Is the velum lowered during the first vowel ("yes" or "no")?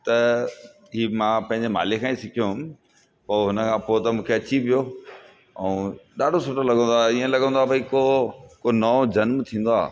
no